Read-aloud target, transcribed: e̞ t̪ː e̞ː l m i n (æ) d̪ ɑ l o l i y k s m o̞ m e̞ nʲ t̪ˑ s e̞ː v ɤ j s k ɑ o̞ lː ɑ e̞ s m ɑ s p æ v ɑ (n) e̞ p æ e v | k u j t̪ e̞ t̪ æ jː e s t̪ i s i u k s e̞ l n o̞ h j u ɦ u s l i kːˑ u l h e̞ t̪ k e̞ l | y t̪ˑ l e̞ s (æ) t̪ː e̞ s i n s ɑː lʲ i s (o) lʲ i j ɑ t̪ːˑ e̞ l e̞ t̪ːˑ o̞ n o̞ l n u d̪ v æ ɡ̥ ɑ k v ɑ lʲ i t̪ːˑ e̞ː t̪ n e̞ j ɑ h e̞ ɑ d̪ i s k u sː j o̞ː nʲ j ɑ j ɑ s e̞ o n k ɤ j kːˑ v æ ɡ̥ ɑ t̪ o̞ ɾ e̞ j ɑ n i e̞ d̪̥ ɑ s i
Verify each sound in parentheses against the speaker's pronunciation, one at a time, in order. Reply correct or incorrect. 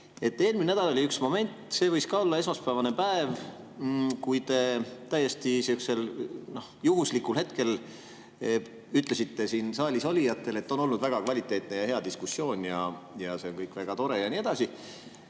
correct, correct, incorrect, correct

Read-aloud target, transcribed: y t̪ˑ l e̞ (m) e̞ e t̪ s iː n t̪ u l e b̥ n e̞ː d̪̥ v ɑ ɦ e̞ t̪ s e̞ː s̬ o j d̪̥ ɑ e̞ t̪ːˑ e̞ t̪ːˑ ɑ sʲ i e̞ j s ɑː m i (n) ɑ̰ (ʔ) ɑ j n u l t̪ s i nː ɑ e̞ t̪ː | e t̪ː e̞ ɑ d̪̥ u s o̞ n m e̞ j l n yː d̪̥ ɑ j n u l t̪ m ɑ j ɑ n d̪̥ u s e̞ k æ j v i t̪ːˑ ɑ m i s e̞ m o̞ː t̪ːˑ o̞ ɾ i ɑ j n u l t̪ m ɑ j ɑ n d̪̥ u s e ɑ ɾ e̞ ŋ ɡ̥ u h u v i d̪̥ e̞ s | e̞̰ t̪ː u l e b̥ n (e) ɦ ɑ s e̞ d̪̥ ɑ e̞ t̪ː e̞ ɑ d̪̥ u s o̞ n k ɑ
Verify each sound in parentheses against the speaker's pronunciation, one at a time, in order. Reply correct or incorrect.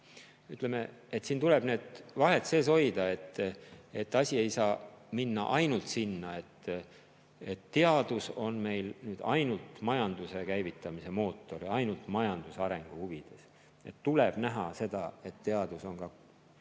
correct, incorrect, correct, incorrect

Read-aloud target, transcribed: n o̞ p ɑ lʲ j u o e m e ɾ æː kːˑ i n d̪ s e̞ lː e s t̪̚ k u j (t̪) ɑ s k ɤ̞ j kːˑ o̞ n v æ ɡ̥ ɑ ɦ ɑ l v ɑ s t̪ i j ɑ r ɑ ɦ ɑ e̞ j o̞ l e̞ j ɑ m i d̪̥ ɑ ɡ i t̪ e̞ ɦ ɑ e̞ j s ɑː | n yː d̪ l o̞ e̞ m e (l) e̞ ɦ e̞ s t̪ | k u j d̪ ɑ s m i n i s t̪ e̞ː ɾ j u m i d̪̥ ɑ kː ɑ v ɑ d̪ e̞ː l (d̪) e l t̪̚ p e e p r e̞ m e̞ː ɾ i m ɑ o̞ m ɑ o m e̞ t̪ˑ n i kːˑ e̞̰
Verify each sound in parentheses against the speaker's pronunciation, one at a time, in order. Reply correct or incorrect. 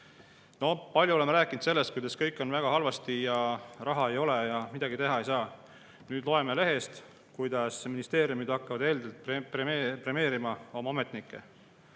incorrect, correct, correct

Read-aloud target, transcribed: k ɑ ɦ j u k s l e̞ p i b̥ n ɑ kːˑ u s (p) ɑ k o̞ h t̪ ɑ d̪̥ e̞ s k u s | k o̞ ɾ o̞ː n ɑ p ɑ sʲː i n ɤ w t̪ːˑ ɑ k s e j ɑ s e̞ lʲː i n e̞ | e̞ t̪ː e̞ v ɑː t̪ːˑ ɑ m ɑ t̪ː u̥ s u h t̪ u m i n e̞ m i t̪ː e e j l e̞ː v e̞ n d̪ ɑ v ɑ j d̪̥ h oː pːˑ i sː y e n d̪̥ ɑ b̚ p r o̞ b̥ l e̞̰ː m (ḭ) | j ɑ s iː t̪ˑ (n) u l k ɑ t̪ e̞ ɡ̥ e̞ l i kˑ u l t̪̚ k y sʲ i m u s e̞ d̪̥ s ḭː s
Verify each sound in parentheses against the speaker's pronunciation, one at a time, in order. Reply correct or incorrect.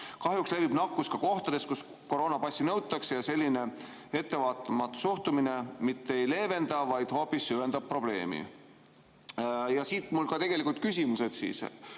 incorrect, correct, incorrect

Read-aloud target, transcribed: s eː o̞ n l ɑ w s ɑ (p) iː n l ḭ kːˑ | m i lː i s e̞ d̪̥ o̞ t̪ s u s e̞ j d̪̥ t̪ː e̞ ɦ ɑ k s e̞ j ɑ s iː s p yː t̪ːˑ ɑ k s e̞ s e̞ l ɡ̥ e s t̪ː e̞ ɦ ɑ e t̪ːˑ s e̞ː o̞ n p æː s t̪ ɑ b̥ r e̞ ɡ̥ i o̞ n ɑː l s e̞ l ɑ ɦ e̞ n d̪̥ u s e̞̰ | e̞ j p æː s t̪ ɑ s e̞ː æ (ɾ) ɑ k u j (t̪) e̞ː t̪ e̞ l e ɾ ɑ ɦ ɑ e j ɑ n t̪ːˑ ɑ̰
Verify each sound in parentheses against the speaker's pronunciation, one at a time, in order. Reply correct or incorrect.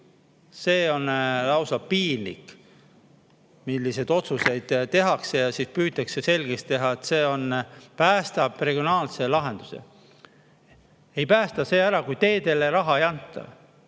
correct, correct, correct

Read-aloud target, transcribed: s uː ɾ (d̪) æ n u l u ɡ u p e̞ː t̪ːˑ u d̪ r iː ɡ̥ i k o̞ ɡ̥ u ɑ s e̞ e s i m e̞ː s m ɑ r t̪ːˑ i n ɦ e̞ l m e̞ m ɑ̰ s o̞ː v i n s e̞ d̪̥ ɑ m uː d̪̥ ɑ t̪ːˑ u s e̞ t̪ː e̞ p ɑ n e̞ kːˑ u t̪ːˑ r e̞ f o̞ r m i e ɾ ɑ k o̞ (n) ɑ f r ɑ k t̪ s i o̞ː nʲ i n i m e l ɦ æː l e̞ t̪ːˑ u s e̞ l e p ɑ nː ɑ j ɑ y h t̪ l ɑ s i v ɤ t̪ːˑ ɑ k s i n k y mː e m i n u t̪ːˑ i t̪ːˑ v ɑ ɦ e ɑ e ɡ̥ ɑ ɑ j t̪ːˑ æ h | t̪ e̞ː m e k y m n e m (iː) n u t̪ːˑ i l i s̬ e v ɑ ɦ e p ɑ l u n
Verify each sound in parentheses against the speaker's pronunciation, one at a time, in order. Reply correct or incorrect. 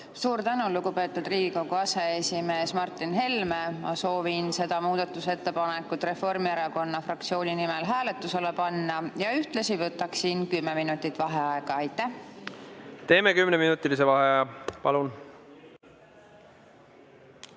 incorrect, incorrect, incorrect

